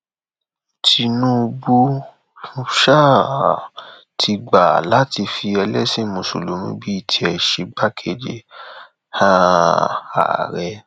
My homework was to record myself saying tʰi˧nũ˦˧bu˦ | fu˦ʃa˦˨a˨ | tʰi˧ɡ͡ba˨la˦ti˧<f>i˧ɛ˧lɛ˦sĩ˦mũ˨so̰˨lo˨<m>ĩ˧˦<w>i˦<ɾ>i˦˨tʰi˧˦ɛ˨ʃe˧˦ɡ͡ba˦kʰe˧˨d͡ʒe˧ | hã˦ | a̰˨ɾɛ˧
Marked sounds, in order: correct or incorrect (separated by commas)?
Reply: correct, correct, incorrect, incorrect